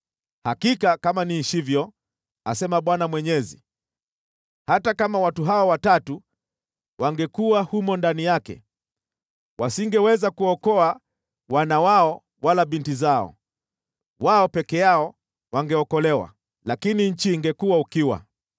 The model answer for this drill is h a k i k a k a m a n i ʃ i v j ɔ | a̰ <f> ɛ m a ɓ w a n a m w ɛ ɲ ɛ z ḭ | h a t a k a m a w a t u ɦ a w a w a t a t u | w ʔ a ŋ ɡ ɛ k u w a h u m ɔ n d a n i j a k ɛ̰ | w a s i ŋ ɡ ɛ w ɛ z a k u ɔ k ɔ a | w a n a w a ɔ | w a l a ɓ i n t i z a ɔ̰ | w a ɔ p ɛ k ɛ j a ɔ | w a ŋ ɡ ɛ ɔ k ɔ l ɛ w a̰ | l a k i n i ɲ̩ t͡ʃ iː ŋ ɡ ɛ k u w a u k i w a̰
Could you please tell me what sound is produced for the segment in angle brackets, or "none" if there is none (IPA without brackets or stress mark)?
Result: s